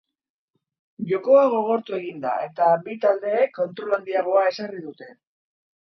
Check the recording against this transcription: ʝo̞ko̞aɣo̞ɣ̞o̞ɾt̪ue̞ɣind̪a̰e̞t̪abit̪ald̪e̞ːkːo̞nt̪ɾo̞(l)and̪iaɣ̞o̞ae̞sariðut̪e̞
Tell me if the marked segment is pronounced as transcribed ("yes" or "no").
yes